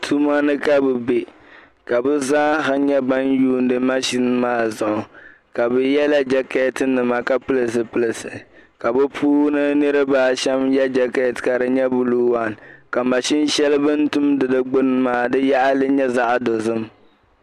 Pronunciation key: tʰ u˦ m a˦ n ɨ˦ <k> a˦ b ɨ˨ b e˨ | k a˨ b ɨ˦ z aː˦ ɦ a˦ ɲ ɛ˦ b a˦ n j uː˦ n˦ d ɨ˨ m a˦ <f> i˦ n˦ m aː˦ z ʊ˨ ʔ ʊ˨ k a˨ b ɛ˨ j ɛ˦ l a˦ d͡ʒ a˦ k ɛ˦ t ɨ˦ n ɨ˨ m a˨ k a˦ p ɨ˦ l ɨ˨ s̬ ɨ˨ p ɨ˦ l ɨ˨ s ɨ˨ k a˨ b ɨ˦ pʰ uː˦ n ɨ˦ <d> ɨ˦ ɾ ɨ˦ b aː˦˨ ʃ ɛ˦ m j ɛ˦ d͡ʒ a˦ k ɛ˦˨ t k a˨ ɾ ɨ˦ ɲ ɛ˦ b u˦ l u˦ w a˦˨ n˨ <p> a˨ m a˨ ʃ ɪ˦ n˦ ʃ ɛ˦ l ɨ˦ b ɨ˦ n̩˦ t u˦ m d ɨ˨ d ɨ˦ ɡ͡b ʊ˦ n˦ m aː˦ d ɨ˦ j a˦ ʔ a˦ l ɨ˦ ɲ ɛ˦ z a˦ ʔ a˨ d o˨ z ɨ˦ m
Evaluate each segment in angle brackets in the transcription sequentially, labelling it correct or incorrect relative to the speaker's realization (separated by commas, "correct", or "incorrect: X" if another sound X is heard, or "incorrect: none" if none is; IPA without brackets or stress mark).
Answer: correct, incorrect: ʃ, incorrect: n, incorrect: k